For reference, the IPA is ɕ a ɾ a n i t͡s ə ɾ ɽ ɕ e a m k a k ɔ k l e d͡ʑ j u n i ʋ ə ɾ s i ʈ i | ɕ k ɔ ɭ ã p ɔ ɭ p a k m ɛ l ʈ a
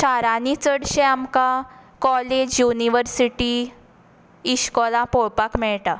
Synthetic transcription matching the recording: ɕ a ɾ a n i t͡s ə ɽ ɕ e a m k a k ɔ l e d͡ʑ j u n i ʋ ə ɾ s i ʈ i | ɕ k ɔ l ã p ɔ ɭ p a k m ɛ ɭ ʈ a